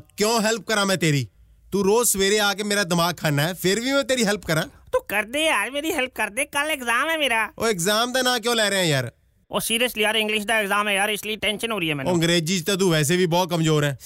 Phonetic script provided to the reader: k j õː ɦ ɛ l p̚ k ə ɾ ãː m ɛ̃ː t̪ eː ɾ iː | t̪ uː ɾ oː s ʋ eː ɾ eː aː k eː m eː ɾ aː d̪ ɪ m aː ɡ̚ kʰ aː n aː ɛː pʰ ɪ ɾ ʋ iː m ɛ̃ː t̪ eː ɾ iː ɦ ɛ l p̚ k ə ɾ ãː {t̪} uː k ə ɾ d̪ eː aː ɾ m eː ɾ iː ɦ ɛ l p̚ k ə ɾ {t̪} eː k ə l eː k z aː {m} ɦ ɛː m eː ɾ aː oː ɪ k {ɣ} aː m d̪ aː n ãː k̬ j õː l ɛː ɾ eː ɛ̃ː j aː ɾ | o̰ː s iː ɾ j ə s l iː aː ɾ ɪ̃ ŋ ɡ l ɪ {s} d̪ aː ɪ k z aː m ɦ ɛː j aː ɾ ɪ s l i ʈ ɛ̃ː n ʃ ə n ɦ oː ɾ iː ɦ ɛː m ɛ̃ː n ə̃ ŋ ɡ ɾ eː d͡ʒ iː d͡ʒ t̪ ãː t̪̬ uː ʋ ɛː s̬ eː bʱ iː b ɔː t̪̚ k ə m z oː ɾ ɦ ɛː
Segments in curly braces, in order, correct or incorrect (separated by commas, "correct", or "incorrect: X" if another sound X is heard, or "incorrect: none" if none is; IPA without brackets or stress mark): correct, incorrect: d̪, correct, incorrect: z, incorrect: ʃ